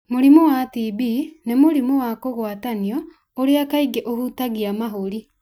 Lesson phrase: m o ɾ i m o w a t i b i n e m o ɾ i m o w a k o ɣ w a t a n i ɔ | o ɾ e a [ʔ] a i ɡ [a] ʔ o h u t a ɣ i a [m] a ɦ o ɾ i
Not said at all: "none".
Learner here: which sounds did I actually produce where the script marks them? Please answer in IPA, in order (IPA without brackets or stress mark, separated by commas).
k, e, m